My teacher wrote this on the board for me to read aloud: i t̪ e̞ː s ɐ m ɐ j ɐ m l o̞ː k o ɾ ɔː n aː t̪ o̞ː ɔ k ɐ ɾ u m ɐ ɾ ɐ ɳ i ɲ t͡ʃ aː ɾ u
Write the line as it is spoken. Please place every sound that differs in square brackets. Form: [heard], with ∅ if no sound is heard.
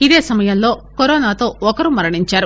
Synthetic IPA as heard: i [d̪] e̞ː s ɐ m ɐ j ɐ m l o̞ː k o ɾ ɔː n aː t̪ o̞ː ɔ k ɐ ɾ u m ɐ ɾ ɐ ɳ i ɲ t͡ʃ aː ɾ u